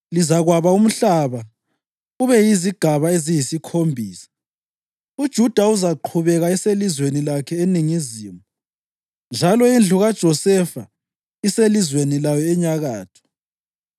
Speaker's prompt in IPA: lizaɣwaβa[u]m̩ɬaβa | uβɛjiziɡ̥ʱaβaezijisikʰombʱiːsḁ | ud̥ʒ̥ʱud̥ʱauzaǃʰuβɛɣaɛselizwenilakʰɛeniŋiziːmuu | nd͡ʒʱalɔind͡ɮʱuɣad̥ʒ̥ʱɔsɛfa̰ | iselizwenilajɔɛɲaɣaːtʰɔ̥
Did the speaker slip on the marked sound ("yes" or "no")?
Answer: no